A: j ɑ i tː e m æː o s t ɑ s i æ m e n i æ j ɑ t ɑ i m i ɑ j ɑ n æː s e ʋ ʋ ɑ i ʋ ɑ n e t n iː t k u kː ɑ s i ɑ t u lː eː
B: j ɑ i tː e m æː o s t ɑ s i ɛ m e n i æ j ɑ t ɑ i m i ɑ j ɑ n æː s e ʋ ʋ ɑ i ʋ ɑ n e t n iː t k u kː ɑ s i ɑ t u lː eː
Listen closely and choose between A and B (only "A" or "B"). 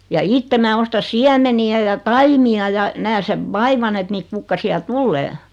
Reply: A